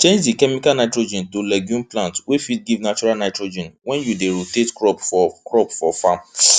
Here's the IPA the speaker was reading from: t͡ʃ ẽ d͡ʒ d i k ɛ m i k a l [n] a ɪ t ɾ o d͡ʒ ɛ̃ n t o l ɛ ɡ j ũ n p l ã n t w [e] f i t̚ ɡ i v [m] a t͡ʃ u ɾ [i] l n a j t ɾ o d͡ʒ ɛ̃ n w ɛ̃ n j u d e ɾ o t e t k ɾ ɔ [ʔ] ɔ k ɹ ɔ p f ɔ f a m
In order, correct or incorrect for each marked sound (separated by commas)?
correct, correct, incorrect, incorrect, incorrect